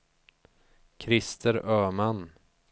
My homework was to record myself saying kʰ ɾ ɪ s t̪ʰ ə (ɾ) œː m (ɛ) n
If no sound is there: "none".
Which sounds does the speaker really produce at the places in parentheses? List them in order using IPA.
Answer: ɾ, a

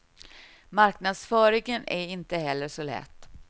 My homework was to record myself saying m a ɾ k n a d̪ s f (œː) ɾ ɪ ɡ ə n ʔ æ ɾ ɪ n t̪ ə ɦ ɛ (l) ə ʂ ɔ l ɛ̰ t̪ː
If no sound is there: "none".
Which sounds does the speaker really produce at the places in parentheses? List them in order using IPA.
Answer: œː, lː

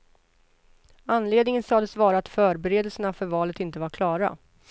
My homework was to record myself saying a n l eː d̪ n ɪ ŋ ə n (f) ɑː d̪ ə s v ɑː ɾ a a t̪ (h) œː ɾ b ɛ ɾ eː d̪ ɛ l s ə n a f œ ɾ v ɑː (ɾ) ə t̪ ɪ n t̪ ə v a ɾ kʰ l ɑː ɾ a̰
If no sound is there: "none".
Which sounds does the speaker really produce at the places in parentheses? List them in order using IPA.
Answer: s, f, l

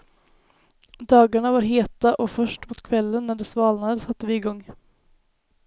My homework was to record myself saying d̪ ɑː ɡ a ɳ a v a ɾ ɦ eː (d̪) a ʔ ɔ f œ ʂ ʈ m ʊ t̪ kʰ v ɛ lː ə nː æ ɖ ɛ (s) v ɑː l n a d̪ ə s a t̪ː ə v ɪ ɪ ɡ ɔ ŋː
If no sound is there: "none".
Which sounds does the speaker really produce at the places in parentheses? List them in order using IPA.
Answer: t̪, s

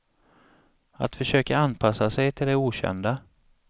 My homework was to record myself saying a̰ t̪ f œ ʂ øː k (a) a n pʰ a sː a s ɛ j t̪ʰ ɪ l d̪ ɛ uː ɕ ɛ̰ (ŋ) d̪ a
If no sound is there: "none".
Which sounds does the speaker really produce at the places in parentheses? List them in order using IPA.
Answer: a, n

